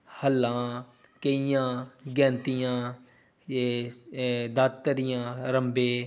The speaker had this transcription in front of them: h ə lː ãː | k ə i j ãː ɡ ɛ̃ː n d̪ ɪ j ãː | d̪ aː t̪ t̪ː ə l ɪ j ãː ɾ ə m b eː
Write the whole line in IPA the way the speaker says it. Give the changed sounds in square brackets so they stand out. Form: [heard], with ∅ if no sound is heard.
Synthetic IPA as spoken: h ə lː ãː | k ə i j ãː ɡ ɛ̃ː n [t̪] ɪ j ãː | d̪ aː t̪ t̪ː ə [ɾ] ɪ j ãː ɾ ə m b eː